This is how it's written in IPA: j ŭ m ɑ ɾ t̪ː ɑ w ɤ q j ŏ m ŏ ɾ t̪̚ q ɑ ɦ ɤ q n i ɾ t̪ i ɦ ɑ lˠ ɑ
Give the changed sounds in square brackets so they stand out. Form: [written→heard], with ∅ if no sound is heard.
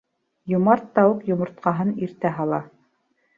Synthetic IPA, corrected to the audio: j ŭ m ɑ ɾ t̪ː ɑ w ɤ q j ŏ m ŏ ɾ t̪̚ q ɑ ɦ ɤ [q→∅] n i ɾ t̪ [i→æ] ɦ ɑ lˠ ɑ